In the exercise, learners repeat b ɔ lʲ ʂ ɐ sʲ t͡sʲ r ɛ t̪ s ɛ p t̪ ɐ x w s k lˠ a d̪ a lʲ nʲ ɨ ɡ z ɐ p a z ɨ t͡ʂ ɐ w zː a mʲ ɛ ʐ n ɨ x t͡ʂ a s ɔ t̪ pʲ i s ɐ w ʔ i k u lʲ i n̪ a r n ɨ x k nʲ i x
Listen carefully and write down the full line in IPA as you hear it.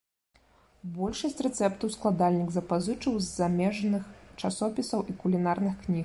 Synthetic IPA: b ɔ lʲ ʂ ɐ sʲ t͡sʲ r ɛ t̪ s ɛ p t̪ ɐ w s k lˠ a d̪ a lʲ nʲ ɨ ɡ z ɐ p a z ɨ t͡ʂ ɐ w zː a mʲ ɛ ʐ n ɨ x t͡ʂ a s ɔ pʲ i s ɐ w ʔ i k u lʲ i n̪ a r n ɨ x k nʲ i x